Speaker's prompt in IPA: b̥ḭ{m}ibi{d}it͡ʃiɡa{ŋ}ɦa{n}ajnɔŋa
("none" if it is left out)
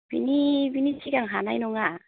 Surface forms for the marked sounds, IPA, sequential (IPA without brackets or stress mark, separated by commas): n, n, ŋ, n